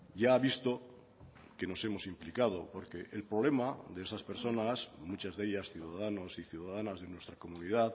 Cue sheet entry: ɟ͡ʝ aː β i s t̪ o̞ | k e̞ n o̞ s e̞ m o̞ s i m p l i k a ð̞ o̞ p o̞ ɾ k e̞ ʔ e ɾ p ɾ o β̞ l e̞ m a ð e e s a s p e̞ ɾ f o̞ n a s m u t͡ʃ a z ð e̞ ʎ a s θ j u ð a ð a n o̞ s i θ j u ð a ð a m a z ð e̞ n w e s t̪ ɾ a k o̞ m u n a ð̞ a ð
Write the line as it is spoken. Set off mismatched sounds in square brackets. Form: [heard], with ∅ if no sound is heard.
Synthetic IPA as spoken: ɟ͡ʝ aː β i s t̪ o̞ | k e̞ n o̞ s e̞ m o̞ s i m p l i k a ð̞ o̞ p o̞ ɾ k e̞ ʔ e [l] p ɾ o β̞ l e̞ m a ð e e s a s p e̞ ɾ [s] o̞ n a s m u t͡ʃ a z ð e̞ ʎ a s θ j u ð a ð a n o̞ s i θ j u ð a ð a [n] a z ð e̞ n w e s t̪ ɾ a k o̞ m u n [i] ð̞ a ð